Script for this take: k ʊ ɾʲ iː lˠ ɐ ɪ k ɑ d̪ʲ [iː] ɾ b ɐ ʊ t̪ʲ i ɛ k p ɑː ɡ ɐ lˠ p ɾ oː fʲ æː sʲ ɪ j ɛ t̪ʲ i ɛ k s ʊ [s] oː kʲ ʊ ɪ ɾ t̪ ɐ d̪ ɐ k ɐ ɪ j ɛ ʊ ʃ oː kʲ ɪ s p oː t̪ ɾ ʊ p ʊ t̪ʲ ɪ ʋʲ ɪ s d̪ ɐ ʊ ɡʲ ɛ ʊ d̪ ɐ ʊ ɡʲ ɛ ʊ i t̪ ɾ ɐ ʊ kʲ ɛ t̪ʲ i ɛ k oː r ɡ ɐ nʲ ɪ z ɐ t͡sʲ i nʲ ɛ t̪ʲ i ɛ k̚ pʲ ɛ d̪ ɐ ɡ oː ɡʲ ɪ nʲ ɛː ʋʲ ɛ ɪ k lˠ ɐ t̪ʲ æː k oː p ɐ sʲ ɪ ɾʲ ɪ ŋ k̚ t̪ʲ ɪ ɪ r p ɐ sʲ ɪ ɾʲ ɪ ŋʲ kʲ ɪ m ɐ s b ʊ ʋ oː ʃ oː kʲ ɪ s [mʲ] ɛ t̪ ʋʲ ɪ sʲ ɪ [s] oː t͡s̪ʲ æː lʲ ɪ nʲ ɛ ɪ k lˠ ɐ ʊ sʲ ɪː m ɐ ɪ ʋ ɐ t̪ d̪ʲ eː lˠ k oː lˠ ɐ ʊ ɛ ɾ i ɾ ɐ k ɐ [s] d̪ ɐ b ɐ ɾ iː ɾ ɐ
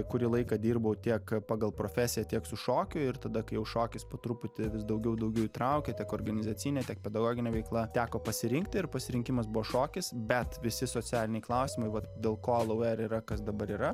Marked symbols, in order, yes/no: yes, no, no, yes, yes

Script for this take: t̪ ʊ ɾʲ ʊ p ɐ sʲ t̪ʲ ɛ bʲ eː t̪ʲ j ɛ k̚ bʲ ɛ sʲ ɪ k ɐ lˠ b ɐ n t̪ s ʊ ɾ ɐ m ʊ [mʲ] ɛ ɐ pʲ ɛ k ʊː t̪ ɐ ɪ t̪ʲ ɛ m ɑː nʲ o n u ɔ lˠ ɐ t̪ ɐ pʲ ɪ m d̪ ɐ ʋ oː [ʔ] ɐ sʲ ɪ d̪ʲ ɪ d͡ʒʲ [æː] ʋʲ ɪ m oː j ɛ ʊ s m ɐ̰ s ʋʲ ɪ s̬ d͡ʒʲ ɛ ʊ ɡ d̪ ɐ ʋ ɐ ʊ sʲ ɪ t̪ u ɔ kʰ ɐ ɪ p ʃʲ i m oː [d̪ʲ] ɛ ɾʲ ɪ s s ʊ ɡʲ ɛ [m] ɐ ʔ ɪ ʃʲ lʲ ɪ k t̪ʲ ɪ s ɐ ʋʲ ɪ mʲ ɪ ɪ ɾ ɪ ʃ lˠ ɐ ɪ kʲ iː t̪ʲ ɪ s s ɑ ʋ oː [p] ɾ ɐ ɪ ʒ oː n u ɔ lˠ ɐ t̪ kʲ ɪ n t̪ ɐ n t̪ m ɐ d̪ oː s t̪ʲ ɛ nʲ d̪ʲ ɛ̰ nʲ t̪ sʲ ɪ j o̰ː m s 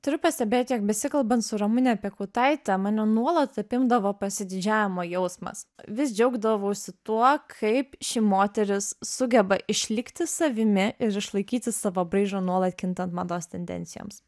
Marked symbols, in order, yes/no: no, no, yes, no, no, no

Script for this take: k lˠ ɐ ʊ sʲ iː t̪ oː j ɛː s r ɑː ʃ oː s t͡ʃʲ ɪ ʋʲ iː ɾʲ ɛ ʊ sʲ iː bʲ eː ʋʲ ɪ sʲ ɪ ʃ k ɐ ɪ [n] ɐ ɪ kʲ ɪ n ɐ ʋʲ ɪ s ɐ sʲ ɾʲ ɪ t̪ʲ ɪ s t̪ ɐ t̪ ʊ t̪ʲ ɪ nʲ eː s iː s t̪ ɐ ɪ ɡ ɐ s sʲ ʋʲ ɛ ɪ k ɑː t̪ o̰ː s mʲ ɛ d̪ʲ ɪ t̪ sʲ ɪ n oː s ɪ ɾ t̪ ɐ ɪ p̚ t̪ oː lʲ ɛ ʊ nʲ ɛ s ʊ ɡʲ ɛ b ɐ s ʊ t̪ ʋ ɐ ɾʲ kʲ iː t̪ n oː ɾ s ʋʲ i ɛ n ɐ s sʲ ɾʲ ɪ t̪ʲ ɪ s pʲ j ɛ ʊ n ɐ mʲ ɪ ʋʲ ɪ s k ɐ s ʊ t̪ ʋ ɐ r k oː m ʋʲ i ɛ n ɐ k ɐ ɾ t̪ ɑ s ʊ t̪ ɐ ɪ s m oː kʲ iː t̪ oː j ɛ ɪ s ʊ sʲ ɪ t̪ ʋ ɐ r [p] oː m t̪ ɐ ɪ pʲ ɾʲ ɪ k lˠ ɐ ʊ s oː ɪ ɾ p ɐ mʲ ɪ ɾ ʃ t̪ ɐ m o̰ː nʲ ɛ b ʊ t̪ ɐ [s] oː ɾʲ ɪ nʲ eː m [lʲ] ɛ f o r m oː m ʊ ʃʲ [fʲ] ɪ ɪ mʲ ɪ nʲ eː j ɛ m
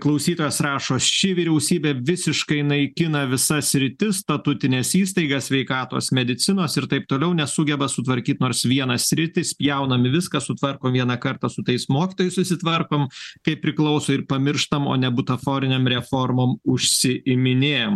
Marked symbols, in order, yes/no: yes, no, no, no, no

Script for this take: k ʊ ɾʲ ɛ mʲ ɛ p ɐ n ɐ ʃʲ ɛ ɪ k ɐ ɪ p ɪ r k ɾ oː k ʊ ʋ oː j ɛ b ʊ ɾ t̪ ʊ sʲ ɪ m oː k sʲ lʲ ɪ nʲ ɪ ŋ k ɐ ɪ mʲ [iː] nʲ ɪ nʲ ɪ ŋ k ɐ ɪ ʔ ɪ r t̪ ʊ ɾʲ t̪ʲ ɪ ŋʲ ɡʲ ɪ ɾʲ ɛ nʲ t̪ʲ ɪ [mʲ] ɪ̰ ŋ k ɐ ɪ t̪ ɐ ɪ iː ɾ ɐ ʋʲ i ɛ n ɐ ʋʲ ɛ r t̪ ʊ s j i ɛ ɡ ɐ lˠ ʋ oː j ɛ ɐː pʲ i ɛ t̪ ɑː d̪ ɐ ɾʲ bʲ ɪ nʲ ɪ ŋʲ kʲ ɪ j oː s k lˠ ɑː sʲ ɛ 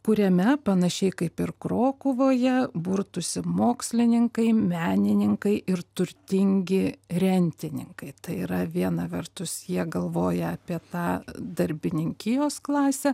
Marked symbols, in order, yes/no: no, no

